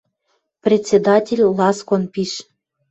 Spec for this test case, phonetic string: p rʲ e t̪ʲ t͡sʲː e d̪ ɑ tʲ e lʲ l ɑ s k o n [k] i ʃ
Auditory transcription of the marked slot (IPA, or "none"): p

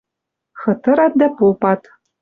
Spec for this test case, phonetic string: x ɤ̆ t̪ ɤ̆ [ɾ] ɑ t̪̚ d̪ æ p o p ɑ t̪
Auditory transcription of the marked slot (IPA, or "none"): ɾ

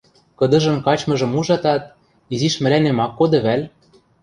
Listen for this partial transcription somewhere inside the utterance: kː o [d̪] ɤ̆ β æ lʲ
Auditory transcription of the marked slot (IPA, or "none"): d̪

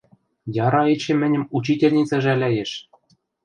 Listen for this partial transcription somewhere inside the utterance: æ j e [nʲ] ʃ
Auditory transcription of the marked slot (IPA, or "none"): none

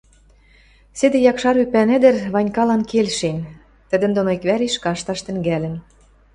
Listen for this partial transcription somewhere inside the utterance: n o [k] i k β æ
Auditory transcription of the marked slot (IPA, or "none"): none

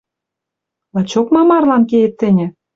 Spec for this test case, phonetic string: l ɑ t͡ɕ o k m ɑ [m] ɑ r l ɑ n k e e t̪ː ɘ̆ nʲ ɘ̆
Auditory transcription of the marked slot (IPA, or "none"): m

